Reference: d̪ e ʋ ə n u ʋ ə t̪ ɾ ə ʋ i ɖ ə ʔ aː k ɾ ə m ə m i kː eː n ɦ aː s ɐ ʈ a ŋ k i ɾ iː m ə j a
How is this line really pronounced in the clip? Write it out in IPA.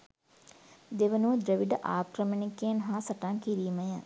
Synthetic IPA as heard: d̪ e ʋ ə n u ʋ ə d̪ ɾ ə ʋ i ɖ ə ʔ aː k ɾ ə m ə n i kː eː n ɦ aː s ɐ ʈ a ŋ k i ɾ iː m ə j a